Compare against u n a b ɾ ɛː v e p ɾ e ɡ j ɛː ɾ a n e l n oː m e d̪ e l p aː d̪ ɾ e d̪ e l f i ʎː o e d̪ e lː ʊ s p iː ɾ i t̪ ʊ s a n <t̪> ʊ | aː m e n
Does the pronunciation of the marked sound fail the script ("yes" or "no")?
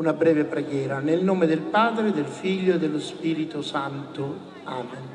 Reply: no